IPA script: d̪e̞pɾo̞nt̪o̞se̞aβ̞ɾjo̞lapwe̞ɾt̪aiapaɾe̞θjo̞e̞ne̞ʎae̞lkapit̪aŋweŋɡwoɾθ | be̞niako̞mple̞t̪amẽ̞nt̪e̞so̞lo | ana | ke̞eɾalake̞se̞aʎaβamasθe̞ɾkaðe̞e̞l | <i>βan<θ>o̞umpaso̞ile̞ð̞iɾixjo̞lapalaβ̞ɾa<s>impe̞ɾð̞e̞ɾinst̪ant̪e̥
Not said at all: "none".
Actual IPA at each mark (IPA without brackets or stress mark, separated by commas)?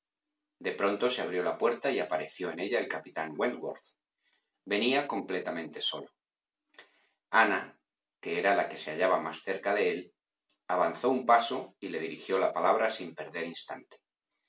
a, θ, s